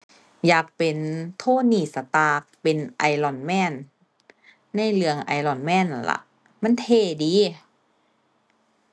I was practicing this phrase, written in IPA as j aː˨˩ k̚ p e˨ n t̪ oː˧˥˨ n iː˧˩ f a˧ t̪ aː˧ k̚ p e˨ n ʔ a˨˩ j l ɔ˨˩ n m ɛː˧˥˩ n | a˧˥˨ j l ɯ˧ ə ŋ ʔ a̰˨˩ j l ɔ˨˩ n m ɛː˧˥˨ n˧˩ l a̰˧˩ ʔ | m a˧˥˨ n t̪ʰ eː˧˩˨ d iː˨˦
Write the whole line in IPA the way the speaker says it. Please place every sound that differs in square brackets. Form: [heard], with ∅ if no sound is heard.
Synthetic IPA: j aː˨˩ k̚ p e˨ n [t̪ʰ] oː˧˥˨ n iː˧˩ [s] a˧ t̪ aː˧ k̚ p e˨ n ʔ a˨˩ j l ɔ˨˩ n m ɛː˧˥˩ n | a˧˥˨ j l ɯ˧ ə ŋ ʔ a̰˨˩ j l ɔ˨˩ n m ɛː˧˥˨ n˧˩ l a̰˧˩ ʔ | m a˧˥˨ n t̪ʰ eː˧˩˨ d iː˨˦